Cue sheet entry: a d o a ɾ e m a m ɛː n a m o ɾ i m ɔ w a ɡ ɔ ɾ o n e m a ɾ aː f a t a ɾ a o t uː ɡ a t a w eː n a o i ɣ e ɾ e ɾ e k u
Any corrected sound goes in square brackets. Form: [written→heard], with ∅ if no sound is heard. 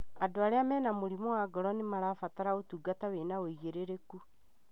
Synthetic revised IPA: a d o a ɾ e [m→∅] a m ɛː n a m o ɾ i m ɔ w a ɡ ɔ ɾ [o→ɔ] n e m a ɾ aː f a t a ɾ a o t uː ɡ a t a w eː n a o i ɣ e ɾ e ɾ e k u